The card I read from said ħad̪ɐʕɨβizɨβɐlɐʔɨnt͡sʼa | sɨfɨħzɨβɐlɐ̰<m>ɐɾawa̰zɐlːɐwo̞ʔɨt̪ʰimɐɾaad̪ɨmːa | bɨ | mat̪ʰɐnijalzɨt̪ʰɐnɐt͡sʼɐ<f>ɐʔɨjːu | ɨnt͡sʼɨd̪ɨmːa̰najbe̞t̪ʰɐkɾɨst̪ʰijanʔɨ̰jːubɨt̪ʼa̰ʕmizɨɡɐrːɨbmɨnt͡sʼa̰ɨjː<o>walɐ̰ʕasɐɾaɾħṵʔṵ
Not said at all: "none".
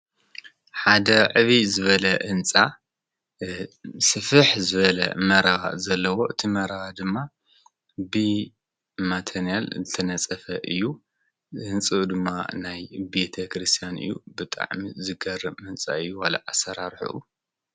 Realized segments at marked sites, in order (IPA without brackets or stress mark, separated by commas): m, f, u